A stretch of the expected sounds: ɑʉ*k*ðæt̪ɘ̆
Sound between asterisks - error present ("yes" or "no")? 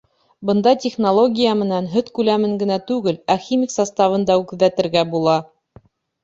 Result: no